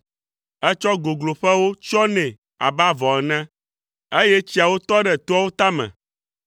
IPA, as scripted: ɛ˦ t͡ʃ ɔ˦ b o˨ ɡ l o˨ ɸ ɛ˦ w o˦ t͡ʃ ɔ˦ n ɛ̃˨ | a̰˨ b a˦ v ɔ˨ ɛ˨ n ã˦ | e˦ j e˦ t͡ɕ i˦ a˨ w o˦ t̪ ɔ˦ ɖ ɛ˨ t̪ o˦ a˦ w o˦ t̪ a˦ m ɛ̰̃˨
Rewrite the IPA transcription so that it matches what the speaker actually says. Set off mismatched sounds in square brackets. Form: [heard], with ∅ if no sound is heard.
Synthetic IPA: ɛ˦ t͡ʃ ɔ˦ [ɡ] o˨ ɡ l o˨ ɸ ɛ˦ w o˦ t͡ʃ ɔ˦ n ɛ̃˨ | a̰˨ b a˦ v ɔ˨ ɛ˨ n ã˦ | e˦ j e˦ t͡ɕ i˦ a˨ w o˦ t̪ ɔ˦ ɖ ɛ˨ t̪ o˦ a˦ w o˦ t̪ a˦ m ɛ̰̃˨